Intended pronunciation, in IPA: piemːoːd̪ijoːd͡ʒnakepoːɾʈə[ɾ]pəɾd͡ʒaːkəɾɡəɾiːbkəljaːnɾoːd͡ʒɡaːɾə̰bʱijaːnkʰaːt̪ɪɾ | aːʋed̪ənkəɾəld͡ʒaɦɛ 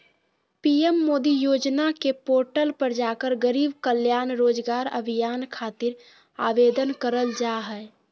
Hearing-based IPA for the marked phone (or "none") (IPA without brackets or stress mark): l